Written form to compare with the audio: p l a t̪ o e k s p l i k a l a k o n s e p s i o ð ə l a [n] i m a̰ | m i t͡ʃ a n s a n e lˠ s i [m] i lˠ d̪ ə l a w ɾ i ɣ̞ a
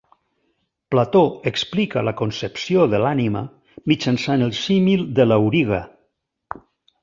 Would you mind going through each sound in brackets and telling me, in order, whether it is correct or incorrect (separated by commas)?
correct, correct